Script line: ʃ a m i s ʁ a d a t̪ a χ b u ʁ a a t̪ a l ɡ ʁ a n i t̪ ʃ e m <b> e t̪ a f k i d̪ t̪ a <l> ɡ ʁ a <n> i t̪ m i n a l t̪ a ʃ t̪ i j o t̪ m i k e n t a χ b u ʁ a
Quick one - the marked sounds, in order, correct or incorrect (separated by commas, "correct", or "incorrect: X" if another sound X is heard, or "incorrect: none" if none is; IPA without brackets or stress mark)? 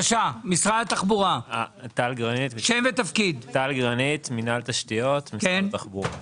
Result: incorrect: v, correct, correct